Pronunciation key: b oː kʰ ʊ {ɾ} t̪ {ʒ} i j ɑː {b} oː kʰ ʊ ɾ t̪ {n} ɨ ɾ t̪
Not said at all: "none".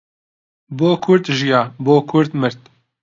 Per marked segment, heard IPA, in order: ɾ, ʒ, b, m

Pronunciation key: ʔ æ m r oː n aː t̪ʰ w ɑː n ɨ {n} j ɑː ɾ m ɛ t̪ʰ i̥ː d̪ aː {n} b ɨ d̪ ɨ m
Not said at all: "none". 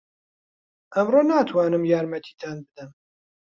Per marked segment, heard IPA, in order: m, n

